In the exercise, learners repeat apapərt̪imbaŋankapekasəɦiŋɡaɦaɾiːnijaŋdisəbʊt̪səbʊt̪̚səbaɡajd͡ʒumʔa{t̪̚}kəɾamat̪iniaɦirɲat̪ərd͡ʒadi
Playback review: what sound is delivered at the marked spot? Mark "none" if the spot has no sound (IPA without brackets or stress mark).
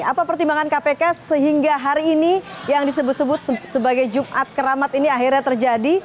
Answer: t̪̚